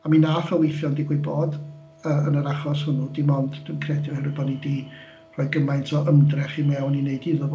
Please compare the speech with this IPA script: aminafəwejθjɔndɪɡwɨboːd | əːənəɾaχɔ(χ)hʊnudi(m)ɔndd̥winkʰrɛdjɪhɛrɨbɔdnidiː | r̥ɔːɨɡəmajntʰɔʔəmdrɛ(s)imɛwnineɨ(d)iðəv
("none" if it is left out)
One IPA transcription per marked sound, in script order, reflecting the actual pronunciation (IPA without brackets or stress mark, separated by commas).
s, m, χ, d